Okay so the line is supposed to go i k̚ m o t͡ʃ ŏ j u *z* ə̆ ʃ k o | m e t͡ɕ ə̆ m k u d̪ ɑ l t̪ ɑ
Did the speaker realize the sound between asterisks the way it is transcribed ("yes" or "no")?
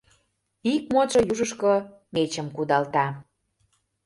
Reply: no